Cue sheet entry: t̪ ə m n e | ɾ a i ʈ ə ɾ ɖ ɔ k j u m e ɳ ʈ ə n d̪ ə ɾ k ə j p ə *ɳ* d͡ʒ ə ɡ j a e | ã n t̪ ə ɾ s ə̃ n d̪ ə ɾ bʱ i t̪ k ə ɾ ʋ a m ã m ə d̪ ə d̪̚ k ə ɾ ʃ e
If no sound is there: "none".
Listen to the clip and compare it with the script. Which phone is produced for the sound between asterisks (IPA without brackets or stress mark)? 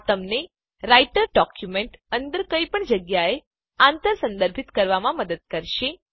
ɳ